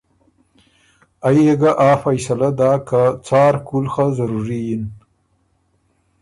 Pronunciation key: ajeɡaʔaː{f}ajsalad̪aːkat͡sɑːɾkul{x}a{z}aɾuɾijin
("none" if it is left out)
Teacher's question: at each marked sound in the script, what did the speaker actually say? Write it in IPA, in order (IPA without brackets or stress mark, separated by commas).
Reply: f, x, z